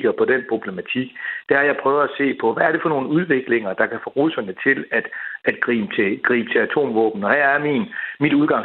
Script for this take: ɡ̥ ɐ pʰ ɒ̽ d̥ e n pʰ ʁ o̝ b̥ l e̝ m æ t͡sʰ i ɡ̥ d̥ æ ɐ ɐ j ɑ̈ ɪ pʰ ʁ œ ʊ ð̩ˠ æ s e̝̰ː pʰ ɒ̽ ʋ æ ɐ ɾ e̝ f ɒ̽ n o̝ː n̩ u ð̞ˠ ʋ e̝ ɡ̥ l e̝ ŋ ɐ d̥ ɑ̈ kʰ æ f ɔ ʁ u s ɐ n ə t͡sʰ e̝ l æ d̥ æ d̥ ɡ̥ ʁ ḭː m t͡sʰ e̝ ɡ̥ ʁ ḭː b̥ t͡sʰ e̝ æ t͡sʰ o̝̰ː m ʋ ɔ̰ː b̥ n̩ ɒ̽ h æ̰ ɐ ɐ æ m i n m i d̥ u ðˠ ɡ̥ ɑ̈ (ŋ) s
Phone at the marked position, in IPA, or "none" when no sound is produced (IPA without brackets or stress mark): ŋ